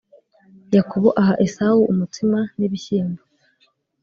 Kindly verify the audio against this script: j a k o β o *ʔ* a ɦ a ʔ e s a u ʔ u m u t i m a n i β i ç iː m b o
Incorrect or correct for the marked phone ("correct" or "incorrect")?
correct